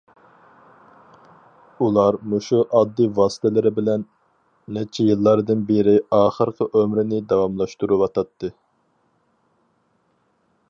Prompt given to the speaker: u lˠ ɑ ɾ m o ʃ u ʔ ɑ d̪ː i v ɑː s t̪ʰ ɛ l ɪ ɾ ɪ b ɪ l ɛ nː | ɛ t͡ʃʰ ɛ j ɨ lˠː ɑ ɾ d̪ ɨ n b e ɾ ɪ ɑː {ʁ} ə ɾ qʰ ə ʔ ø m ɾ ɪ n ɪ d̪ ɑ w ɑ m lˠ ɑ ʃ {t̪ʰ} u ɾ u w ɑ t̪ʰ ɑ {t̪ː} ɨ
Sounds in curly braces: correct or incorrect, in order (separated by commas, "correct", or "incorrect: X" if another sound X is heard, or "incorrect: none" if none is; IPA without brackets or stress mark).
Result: incorrect: χ, incorrect: t̪, correct